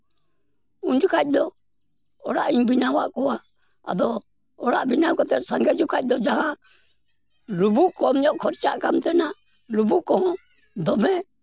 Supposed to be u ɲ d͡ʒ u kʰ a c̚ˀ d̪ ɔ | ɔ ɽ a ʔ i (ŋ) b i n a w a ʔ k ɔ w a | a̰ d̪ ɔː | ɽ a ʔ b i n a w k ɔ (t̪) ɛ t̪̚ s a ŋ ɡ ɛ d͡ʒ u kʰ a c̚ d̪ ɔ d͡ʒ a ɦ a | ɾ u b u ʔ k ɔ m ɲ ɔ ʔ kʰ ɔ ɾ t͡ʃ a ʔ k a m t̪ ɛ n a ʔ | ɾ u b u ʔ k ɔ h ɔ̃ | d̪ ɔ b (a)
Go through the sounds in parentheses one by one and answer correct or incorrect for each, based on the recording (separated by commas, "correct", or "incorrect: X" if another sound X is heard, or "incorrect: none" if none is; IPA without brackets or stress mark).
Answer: incorrect: ɲ, correct, incorrect: ɛ